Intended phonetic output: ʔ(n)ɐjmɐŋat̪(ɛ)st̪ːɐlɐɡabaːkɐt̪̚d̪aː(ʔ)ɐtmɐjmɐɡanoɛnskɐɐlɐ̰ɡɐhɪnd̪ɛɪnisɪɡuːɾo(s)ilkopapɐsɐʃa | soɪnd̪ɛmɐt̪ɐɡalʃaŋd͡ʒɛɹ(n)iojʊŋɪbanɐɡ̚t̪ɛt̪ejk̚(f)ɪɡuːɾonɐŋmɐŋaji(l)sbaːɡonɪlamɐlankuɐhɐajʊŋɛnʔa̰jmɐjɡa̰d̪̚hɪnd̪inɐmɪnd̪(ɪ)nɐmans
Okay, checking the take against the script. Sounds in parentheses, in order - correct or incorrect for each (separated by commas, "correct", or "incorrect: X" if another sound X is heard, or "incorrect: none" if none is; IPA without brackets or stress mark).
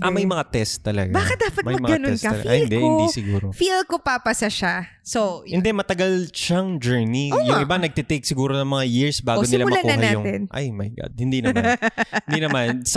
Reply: incorrect: m, correct, incorrect: p, incorrect: f, correct, incorrect: s, incorrect: ɹ, incorrect: i